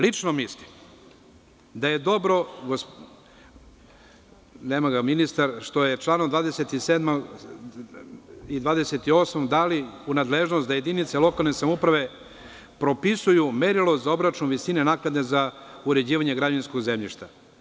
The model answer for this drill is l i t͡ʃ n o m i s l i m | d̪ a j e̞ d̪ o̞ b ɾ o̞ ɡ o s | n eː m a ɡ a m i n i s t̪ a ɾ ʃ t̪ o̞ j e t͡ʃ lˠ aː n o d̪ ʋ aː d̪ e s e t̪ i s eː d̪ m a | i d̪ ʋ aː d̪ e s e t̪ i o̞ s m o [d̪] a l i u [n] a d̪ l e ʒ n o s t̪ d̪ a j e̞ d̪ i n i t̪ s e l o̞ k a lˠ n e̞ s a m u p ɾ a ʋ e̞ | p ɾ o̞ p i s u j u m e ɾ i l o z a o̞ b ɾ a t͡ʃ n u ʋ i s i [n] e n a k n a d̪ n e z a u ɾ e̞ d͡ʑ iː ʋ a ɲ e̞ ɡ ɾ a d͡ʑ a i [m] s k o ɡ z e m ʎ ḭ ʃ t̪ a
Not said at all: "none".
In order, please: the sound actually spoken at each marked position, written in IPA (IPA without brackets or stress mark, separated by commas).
d̪, n, n, n